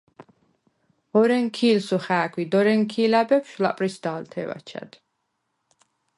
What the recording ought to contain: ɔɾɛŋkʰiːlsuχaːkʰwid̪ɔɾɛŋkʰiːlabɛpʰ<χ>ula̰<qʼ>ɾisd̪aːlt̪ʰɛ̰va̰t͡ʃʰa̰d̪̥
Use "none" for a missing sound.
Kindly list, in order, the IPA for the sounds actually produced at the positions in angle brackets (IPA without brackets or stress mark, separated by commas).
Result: ʃ, pʼ